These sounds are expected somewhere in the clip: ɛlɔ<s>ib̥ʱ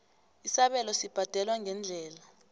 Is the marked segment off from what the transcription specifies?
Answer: no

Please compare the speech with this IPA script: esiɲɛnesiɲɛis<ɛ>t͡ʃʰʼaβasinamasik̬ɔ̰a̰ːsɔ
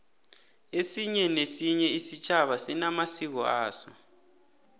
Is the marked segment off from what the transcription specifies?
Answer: yes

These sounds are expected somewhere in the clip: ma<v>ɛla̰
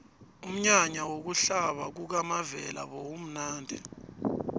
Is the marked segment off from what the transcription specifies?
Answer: no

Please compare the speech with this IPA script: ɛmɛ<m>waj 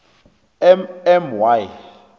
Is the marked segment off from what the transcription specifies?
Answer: no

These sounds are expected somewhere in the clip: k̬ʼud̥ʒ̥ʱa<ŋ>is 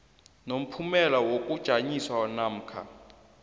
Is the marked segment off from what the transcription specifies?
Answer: yes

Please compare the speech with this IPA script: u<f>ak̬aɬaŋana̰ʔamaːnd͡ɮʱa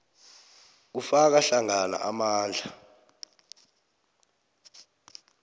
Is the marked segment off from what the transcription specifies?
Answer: no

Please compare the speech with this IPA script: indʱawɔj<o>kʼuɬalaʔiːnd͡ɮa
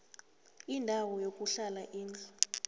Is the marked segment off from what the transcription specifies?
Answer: no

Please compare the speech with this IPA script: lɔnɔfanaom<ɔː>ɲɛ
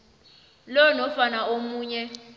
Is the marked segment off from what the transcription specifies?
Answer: yes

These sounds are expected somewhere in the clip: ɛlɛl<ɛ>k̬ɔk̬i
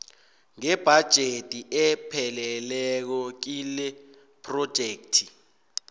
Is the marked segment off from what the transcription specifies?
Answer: no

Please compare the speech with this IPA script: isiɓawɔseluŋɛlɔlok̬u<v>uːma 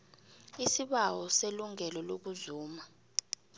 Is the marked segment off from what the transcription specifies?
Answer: yes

